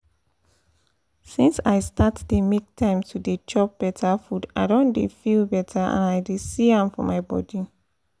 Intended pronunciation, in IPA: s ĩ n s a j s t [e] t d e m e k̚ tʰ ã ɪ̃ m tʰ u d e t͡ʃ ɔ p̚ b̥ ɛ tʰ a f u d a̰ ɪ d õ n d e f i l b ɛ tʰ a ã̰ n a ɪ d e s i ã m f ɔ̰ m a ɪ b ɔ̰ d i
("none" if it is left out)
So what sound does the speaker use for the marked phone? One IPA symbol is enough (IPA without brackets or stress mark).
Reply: a